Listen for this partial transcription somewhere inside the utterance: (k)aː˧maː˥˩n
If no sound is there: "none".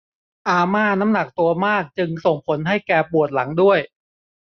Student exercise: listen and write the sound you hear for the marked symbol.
ʔ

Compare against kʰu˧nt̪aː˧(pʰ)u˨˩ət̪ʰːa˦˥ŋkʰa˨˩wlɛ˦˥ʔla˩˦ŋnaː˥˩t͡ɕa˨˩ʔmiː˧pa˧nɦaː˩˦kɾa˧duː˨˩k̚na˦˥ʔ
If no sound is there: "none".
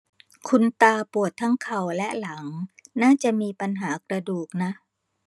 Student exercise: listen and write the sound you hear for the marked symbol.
p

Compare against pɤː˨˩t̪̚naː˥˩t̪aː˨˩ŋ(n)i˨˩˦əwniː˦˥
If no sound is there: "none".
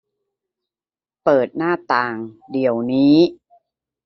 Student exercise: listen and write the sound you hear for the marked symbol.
d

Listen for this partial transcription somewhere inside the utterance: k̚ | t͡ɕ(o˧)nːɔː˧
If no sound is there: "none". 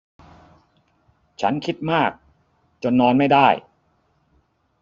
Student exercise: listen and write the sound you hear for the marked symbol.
o˧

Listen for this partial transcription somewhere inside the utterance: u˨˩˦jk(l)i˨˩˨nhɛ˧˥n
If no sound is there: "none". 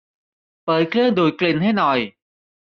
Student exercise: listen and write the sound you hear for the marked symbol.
l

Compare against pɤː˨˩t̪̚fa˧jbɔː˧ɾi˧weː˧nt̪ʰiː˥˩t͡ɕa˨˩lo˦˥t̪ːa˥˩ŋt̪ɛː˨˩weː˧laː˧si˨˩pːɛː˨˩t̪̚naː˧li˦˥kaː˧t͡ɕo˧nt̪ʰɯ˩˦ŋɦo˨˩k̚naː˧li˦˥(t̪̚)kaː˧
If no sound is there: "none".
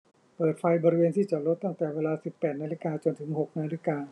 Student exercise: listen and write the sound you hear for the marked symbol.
none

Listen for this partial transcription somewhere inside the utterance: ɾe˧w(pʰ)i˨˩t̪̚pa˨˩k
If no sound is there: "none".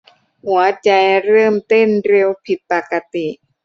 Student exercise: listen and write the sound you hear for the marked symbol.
pʰ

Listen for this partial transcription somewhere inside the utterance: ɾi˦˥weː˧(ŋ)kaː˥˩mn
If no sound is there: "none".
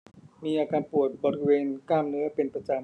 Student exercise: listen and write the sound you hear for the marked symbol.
n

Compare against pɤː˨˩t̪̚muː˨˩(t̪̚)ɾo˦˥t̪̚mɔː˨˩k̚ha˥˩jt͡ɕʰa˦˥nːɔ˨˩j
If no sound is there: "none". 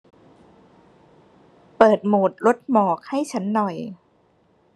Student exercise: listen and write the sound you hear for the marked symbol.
t̪̚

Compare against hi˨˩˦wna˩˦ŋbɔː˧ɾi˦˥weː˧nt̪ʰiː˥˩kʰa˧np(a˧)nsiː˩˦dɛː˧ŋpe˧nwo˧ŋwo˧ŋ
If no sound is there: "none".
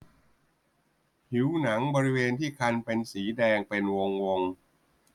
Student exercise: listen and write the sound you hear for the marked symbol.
e˧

